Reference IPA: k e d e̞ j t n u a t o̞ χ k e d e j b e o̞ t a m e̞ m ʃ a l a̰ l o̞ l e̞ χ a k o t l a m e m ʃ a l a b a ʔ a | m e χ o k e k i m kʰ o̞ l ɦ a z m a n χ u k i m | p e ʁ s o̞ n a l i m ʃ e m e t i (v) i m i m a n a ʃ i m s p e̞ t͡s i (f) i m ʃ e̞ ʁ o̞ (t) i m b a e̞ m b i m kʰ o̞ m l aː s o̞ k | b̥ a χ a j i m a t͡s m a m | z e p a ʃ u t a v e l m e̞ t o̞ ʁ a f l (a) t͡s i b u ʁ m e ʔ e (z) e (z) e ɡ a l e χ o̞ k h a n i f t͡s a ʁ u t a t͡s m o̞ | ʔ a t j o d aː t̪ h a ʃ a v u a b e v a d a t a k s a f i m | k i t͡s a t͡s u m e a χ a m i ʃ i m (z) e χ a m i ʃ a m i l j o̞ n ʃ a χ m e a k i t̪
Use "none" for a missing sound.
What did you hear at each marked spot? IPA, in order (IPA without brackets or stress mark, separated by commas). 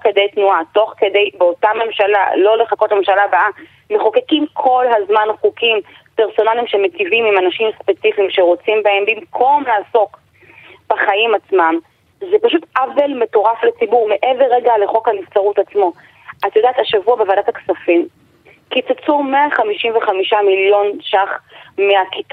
v, f, t͡s, e, v, ʁ, v